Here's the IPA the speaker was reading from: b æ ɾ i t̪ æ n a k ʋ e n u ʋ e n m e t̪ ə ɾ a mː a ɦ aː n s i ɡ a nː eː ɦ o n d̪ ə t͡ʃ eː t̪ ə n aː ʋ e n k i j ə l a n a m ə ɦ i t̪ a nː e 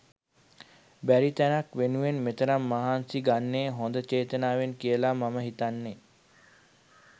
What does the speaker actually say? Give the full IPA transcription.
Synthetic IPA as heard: b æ ɾ i t̪ æ n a k ʋ e n u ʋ e n m e t̪ ə ɾ a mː a ɦ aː n s i ɡ a nː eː ɦ o n d̪ ə t͡ʃ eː t̪ ə n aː ʋ e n k i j ə l a m a m ə ɦ i t̪ a nː e